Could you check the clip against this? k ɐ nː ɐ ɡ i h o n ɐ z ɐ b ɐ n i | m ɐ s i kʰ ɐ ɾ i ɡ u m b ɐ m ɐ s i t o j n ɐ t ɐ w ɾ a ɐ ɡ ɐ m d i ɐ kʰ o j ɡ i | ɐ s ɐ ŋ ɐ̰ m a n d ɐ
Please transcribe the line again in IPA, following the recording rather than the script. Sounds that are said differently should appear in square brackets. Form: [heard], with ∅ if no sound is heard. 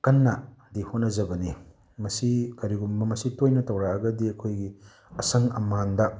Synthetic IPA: k ɐ nː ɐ [d] i h o n ɐ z ɐ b ɐ n i | m ɐ s i [k] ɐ ɾ i ɡ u m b ɐ m ɐ s i t o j n ɐ t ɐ w ɾ a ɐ ɡ ɐ [∅] d i ɐ kʰ o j ɡ i | ɐ s ɐ ŋ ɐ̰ m a n d ɐ